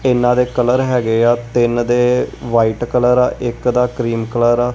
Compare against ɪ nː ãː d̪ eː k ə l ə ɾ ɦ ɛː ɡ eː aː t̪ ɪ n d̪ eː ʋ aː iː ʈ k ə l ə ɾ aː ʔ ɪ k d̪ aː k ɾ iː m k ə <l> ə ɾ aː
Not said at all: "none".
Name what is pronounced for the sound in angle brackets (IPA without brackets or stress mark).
l